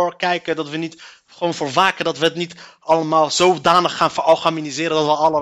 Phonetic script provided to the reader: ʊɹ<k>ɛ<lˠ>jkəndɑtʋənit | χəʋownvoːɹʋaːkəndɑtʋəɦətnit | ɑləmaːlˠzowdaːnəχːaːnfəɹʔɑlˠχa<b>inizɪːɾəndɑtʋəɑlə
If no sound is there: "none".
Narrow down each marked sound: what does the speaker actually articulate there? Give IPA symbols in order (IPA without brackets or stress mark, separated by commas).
k, none, m